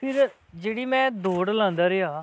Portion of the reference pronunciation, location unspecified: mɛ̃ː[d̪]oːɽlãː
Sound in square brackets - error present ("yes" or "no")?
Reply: no